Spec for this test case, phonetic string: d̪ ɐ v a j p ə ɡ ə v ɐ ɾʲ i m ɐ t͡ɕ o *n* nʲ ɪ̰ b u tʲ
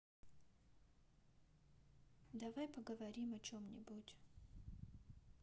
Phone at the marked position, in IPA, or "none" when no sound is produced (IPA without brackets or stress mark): m